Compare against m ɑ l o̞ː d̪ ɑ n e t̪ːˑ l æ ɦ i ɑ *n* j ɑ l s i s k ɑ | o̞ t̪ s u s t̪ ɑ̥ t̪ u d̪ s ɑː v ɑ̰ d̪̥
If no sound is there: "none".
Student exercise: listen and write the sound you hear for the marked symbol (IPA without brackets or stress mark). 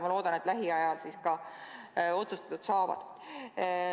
none